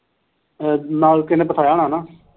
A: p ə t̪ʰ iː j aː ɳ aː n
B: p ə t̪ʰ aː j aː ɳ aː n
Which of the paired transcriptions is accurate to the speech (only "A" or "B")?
B